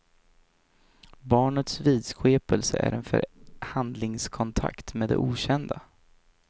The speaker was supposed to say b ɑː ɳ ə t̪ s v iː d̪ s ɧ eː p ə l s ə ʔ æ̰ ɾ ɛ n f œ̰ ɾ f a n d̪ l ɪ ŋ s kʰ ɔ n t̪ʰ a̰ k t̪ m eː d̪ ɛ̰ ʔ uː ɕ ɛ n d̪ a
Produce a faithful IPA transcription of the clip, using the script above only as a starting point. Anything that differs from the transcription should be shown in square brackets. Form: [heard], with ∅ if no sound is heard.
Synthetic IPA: b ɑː ɳ ə t̪ s v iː d̪ s ɧ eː p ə l s ə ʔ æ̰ ɾ ɛ n f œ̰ ɾ [h] a n d̪ l ɪ ŋ s kʰ ɔ n t̪ʰ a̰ k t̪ m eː d̪ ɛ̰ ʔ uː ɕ ɛ n d̪ a

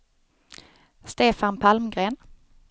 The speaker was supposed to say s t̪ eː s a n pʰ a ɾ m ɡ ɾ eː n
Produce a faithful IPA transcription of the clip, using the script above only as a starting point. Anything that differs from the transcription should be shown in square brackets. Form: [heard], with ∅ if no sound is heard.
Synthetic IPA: s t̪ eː [f] a n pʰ a [l] m ɡ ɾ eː n

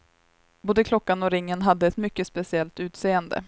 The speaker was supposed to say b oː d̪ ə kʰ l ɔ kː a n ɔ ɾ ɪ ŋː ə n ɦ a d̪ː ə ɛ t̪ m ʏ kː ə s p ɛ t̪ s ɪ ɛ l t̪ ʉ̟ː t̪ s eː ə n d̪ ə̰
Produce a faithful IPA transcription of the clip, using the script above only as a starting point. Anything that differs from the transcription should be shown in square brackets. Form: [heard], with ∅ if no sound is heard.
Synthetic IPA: b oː d̪ ə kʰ l ɔ kː a n ɔ ɾ ɪ ŋː ə n ɦ a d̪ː ə ɛ t̪ m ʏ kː ə s p ɛ [∅] s ɪ ɛ l t̪ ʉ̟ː t̪ s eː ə n d̪ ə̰

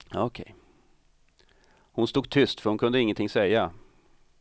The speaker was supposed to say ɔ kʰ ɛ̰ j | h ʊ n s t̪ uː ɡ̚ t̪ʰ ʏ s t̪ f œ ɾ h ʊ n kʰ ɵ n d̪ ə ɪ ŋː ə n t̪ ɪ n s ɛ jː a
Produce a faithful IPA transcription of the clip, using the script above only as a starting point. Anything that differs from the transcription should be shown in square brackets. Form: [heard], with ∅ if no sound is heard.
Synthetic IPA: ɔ kʰ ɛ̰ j | h ʊ n s t̪ uː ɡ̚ t̪ʰ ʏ s t̪ f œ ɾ h ʊ n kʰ ɵ n d̪ ə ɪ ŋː ə n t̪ ɪ [ŋ] s ɛ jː a

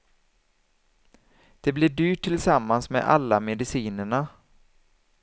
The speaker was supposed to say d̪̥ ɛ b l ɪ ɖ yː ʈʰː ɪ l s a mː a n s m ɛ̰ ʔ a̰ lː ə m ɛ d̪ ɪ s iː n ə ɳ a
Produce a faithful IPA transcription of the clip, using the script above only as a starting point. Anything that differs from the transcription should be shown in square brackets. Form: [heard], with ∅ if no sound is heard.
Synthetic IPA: d̪̥ ɛ b l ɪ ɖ yː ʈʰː ɪ l s a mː a n s m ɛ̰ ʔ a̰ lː [a] m ɛ d̪ ɪ s iː n ə ɳ a

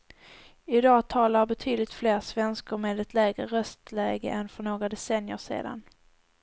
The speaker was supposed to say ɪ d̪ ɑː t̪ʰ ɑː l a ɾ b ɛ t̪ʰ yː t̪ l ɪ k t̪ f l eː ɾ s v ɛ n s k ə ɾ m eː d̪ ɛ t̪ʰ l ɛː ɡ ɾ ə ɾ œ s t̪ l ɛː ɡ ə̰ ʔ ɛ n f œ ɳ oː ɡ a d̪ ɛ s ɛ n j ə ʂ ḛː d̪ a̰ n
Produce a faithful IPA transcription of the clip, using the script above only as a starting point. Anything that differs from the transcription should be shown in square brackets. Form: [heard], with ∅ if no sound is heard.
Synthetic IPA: ɪ d̪ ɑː t̪ʰ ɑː l a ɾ b ɛ t̪ʰ yː [d̪] l ɪ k t̪ f l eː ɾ s v ɛ n s k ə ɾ m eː d̪ ɛ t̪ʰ l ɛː ɡ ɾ ə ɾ œ s t̪ l ɛː ɡ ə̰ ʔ ɛ n f œ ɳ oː ɡ a d̪ ɛ s ɛ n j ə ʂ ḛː d̪ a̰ n

